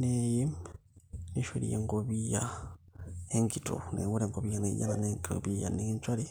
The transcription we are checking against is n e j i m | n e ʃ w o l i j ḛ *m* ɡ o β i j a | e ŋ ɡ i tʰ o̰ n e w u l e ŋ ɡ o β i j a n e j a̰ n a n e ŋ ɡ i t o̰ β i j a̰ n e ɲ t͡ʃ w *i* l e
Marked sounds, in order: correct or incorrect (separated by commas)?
incorrect, incorrect